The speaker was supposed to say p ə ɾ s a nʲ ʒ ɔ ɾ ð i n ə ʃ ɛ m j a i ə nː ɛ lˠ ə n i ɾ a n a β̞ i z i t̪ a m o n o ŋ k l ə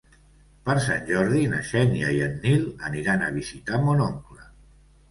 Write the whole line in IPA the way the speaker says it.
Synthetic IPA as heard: p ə ɾ s a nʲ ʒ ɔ ɾ ð i n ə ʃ ɛ n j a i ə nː i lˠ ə n i ɾ a n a β̞ i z i t̪ a m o n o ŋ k l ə